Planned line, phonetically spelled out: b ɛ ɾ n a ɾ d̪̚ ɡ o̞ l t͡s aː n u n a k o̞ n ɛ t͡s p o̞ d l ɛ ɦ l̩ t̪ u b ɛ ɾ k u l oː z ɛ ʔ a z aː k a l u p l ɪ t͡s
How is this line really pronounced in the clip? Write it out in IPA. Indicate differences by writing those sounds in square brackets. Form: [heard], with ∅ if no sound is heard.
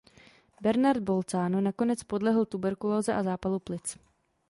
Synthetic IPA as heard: b ɛ ɾ n a ɾ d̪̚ [b] o̞ l t͡s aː n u n a k o̞ n ɛ t͡s p o̞ d l ɛ ɦ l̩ t̪ u b ɛ ɾ k u l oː z ɛ ʔ a z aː [p] a l u p l ɪ t͡s